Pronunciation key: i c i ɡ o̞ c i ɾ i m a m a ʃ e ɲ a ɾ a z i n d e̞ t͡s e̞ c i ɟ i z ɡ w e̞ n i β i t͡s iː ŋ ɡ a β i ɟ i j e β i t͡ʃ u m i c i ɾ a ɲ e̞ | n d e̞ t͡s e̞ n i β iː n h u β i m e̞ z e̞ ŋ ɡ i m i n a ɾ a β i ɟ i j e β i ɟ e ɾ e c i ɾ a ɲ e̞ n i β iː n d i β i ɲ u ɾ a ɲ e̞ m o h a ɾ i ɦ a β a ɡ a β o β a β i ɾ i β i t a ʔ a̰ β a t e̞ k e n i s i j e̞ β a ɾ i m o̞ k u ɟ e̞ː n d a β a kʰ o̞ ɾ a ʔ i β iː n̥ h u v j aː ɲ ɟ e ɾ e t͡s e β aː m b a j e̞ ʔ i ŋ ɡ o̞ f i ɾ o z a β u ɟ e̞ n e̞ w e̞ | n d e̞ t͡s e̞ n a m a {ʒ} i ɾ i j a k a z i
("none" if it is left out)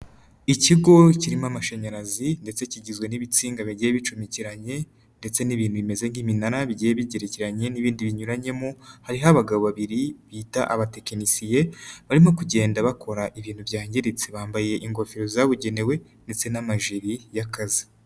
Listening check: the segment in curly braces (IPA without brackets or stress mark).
ʒ